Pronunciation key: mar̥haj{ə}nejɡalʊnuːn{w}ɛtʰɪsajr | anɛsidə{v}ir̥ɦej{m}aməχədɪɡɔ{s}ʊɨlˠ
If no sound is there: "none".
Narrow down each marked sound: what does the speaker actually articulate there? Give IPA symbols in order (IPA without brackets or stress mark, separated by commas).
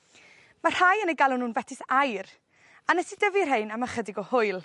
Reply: ə, v, v, n, h